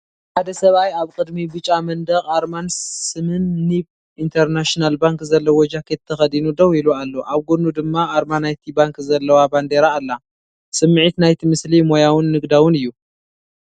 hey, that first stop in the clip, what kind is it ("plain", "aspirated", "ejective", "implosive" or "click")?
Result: plain